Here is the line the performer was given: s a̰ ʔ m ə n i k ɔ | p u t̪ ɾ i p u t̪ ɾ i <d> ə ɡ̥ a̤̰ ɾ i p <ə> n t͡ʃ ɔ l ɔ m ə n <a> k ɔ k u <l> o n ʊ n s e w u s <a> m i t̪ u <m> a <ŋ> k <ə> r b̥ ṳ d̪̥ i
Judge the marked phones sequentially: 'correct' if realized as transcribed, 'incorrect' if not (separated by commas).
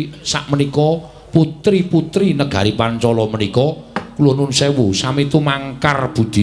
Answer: incorrect, incorrect, incorrect, correct, correct, correct, correct, incorrect